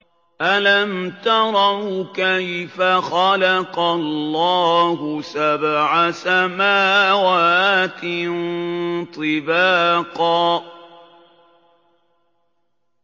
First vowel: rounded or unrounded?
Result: unrounded